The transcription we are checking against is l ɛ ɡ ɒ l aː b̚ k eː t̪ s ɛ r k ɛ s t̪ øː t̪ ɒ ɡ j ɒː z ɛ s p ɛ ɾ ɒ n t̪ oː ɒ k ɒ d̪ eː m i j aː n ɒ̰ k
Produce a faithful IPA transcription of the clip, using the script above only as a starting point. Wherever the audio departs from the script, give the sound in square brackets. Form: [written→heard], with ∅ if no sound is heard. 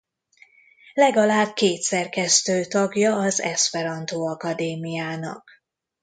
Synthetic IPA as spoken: l ɛ ɡ ɒ l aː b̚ k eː t̪ s ɛ r k ɛ s t̪ øː t̪ ɒ ɡ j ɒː z ɛ s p ɛ ɾ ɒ n t̪ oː ɒ k ɒ d̪ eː m i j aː n ɒ̰ k